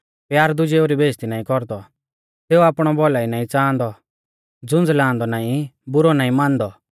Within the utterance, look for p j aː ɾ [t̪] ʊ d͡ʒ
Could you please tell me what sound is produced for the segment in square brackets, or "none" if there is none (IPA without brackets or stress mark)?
d̪